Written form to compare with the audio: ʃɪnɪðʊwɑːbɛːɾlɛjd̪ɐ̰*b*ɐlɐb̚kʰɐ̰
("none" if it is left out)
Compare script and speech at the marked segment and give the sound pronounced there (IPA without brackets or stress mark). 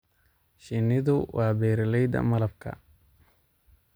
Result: m